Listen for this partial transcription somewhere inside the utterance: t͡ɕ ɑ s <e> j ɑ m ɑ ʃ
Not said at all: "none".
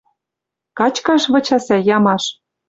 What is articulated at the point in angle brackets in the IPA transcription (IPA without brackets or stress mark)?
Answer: æ